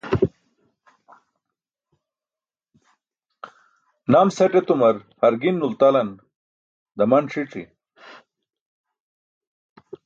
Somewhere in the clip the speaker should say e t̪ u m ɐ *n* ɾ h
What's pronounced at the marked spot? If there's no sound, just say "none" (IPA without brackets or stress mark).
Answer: none